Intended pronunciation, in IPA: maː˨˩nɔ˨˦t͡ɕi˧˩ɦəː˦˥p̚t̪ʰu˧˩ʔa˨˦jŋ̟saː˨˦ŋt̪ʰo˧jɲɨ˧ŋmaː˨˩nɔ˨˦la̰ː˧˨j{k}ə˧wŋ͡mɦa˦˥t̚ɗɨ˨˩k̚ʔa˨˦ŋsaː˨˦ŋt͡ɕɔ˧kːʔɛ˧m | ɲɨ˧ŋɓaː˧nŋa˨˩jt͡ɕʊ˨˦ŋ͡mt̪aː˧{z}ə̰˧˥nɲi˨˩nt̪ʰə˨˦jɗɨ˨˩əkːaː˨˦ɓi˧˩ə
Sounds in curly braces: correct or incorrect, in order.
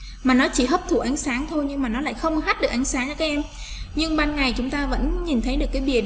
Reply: incorrect: x, incorrect: v

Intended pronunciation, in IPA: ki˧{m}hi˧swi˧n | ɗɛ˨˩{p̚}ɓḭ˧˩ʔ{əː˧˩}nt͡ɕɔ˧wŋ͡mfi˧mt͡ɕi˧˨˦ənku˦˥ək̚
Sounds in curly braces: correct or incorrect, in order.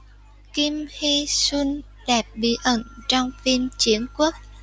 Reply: correct, correct, incorrect: ə˧˩

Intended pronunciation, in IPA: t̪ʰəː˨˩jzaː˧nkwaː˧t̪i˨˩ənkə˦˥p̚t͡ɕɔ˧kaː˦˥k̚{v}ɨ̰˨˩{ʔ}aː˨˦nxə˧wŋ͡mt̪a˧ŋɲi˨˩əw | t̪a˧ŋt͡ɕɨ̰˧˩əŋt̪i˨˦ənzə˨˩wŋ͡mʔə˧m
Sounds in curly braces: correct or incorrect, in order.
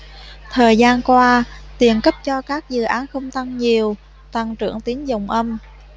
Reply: incorrect: z, correct

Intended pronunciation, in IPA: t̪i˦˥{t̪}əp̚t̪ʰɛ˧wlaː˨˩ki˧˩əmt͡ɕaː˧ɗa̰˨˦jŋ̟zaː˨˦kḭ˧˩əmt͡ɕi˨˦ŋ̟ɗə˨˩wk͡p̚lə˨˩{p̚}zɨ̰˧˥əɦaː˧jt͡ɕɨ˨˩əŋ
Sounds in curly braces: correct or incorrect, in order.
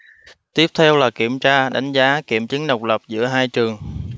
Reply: incorrect: none, correct

